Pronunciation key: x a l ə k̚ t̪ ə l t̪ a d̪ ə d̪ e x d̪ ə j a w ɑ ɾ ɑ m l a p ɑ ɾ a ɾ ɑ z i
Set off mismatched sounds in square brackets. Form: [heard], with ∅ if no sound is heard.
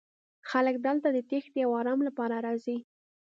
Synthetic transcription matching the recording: x a l ə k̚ [d̪] ə l t̪ a d̪ ə [t̪] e x d̪ ə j a w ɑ ɾ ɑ m l a p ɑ ɾ a ɾ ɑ z i